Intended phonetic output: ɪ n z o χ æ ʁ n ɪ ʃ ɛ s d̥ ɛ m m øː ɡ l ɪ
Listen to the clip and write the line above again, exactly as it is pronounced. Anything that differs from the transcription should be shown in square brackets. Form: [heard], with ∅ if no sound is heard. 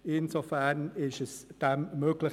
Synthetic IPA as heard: ɪ n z o [f] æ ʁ n ɪ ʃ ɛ s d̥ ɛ m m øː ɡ l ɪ